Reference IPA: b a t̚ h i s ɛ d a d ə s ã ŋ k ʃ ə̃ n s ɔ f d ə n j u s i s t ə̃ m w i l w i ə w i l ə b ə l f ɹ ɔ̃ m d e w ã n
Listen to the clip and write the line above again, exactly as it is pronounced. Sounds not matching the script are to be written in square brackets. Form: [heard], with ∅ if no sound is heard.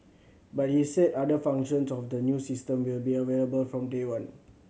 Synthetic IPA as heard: b a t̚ h i s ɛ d a d ə [f] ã ŋ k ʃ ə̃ n s ɔ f d ə n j u s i s t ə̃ m w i l [b] i ə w [e] l ə b ə l f ɹ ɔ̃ m d e w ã n